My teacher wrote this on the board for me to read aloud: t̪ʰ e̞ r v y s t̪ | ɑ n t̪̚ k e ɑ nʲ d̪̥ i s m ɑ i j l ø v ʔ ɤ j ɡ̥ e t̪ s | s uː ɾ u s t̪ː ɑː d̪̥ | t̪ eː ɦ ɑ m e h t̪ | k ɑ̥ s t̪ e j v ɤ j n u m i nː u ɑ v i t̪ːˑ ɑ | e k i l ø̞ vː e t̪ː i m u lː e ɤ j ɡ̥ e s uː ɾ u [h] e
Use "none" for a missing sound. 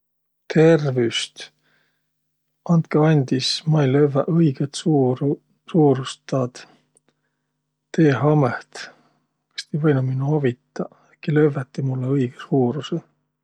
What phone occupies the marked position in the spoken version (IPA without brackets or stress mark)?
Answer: s